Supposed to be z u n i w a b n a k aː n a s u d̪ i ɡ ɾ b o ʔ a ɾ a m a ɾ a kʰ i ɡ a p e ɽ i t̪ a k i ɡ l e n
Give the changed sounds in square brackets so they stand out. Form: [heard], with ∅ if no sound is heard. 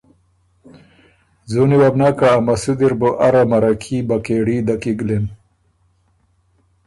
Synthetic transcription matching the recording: z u n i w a b n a k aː [m] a s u d̪ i [∅] ɾ b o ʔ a ɾ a m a ɾ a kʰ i [b] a [k] e ɽ i [d̪] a k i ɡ l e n